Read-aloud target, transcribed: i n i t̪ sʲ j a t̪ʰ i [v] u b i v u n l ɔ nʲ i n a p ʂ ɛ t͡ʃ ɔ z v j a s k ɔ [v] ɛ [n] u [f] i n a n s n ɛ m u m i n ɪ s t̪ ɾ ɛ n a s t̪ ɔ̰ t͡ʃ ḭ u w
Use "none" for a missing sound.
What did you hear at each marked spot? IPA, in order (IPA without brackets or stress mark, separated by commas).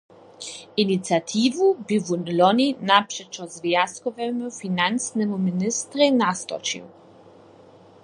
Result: v, v, m, f